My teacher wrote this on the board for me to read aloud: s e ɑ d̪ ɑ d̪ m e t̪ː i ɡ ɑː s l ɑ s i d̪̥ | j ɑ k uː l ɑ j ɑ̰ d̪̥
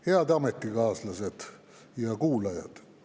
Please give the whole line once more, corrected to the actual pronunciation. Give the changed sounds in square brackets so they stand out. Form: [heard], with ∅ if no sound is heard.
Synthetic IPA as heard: [h] e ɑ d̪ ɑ [∅] m e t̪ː i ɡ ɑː s l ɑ s [e] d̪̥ | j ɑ k uː l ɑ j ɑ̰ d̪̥